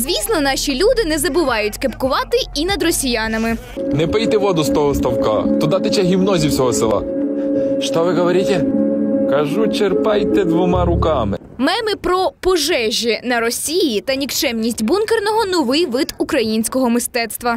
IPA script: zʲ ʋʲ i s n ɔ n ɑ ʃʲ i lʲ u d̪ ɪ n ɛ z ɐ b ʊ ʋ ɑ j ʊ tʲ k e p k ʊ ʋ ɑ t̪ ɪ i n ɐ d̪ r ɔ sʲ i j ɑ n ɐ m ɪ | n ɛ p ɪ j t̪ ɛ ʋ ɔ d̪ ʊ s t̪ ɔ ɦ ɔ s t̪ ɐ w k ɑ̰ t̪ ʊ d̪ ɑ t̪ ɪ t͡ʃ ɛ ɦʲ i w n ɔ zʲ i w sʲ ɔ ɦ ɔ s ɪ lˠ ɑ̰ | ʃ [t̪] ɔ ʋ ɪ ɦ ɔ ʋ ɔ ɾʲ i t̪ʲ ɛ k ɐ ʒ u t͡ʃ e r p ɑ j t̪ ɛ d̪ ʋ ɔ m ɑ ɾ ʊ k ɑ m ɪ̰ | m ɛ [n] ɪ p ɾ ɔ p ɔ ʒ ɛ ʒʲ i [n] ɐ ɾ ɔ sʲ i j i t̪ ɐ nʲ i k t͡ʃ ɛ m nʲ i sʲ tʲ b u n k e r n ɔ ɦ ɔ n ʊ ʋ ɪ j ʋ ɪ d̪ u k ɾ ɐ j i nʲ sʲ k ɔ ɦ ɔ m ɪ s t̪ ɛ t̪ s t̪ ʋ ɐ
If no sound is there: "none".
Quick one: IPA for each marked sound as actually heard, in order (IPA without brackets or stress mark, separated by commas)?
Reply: t̪, m, n